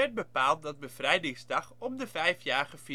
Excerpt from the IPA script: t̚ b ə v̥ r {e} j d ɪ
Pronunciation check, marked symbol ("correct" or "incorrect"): incorrect